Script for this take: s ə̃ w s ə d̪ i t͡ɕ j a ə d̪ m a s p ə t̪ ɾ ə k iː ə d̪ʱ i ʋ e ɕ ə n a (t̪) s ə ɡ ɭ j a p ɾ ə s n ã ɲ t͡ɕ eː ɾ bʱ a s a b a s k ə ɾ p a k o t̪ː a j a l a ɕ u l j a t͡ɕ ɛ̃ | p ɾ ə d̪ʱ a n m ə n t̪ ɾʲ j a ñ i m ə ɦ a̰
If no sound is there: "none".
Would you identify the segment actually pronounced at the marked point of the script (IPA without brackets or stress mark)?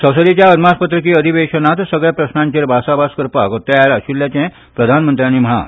t̪